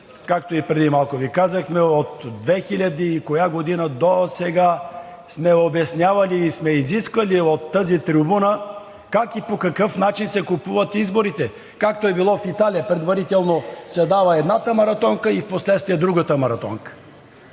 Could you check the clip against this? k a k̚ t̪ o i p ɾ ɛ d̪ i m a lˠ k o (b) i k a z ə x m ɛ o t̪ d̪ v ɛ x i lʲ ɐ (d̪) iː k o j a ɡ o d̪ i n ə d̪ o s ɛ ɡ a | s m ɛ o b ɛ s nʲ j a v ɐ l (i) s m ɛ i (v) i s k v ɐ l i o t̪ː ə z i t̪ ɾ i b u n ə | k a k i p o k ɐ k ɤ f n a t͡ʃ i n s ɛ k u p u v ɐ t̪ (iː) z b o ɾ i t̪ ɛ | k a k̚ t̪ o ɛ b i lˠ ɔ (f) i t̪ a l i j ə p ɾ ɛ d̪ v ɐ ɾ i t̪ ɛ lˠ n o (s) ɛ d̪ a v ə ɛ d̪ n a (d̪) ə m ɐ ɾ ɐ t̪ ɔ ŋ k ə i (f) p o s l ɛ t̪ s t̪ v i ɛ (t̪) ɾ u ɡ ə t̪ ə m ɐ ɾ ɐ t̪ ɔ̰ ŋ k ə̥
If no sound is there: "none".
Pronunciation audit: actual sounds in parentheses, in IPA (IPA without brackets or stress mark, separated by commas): v, d̪, iː, z, i, f, s, t̪, f, d̪